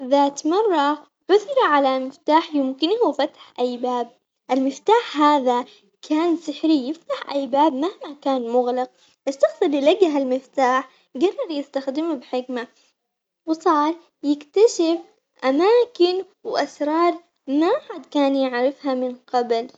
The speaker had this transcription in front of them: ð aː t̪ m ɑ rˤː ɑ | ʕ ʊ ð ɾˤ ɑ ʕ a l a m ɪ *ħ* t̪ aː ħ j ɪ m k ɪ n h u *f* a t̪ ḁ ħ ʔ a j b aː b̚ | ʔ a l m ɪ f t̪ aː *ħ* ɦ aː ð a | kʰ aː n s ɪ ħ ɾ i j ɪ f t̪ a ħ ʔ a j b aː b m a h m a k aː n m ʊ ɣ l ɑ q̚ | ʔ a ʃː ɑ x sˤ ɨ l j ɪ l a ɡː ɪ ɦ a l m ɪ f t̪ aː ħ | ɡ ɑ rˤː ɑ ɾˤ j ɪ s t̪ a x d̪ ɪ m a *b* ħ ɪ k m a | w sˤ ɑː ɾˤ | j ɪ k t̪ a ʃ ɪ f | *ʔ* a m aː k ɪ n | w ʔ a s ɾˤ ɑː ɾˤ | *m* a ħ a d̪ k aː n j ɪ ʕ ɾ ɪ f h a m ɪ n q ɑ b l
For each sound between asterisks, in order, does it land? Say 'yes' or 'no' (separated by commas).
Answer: no, yes, yes, yes, yes, yes